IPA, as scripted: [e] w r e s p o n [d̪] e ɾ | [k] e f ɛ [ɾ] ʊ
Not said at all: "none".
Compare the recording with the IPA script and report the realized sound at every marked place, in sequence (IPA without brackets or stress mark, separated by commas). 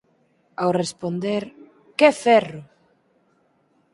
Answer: a, d̪, k, r